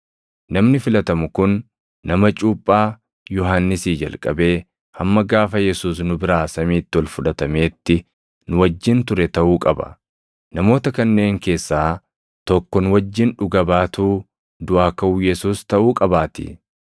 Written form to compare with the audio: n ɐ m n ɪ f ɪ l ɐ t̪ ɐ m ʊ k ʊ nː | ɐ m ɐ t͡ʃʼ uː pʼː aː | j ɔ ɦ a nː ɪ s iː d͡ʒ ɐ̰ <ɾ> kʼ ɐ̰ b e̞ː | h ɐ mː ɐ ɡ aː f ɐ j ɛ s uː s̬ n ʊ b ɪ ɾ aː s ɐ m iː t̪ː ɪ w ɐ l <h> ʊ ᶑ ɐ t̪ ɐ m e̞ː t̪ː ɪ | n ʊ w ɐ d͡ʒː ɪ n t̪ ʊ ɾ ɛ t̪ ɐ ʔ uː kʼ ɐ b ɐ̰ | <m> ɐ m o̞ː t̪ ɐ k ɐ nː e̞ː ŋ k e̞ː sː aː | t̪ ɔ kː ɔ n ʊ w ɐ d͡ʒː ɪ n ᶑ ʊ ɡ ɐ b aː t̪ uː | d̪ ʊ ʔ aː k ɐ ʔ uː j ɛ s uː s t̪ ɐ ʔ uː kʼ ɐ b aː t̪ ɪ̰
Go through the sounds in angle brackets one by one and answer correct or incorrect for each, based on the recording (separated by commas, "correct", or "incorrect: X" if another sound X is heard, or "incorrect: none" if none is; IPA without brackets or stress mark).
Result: incorrect: l, incorrect: f, incorrect: n